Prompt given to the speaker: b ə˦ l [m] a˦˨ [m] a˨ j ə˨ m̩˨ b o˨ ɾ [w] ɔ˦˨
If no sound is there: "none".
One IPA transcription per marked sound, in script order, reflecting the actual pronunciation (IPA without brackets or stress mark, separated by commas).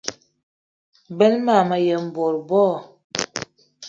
m, m, b